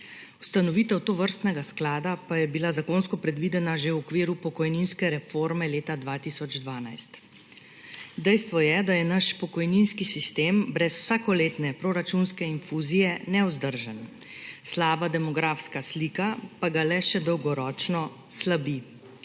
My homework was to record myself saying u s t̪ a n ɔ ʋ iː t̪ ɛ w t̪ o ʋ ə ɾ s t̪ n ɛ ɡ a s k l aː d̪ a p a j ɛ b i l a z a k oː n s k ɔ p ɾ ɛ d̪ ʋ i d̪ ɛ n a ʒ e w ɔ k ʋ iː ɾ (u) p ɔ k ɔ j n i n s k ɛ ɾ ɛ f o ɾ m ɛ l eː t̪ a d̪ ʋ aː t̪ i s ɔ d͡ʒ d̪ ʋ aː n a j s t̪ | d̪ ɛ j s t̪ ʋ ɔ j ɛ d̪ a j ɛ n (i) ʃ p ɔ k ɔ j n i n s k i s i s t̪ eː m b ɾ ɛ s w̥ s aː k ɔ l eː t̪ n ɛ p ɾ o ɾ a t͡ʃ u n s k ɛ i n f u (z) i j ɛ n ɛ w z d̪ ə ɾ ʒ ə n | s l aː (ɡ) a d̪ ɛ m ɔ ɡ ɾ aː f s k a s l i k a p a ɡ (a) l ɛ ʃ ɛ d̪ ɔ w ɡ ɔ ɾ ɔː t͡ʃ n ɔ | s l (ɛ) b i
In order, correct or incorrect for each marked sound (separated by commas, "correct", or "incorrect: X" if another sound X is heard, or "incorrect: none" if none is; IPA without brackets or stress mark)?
correct, incorrect: a, correct, incorrect: b, correct, incorrect: a